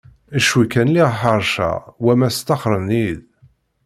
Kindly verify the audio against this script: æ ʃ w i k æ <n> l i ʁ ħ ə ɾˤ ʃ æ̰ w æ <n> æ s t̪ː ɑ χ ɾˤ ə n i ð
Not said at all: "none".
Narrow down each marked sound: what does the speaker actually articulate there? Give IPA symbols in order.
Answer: n, m

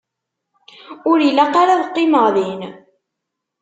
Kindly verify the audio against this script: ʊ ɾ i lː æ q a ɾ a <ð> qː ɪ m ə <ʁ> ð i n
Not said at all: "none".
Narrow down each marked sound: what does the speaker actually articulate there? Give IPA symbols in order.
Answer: ð, ʁ

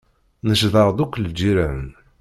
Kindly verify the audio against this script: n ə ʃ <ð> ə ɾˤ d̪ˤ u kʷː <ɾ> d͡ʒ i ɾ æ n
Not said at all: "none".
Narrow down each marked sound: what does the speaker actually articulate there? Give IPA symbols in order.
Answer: ð, l

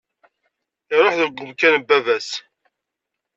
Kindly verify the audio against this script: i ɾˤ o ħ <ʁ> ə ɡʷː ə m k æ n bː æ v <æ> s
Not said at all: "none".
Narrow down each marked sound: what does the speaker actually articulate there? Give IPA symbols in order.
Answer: ð, æ

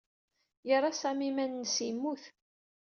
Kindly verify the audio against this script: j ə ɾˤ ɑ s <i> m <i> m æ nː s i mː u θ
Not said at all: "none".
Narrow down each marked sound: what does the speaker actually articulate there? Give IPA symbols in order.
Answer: æ, i

